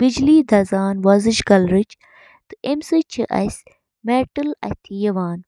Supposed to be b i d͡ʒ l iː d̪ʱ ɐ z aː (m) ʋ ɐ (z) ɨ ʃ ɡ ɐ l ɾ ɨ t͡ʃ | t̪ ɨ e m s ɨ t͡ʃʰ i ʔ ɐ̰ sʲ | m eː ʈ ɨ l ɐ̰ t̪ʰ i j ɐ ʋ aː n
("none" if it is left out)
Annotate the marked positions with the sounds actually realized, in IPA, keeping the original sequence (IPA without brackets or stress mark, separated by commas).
n, z